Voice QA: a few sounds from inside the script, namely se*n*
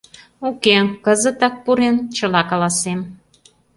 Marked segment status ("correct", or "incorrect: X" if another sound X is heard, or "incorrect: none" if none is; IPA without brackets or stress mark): incorrect: m